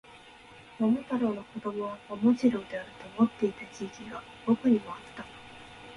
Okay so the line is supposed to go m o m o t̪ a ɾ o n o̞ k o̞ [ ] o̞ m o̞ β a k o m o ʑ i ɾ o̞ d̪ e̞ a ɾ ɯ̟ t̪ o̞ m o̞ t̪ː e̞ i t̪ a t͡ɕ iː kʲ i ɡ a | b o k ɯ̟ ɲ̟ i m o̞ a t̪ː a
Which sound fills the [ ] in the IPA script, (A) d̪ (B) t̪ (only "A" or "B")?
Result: A